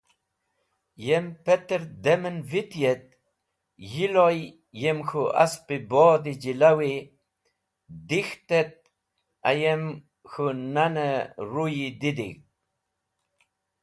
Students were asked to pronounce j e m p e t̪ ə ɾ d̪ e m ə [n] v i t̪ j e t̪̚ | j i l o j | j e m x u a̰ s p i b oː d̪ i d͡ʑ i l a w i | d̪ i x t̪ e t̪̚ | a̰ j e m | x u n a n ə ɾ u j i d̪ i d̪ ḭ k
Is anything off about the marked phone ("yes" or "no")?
no